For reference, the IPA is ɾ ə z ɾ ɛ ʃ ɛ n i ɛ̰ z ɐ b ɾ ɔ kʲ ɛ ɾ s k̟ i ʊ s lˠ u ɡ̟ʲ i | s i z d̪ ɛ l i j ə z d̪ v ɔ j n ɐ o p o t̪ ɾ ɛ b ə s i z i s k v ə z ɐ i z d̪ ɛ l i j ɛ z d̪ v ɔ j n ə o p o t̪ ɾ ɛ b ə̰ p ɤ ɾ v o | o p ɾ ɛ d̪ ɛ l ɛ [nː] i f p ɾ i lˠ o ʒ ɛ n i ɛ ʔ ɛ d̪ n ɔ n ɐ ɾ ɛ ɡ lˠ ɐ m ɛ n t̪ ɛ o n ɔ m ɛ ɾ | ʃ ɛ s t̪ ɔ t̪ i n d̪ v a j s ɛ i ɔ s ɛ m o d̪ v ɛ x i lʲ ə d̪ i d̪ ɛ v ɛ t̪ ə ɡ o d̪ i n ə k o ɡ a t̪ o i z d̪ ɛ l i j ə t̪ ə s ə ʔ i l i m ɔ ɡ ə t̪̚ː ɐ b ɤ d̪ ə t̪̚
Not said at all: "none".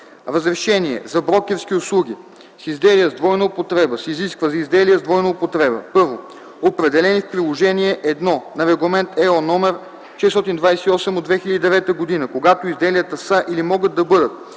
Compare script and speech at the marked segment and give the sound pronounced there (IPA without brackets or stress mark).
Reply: n